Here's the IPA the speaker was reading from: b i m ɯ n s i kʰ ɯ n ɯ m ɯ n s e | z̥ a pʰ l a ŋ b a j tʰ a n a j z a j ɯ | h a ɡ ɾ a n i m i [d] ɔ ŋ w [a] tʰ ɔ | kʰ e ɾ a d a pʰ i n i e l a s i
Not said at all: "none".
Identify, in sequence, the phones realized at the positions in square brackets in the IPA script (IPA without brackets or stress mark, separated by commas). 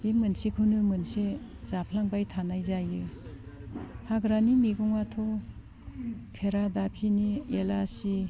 ɡ, a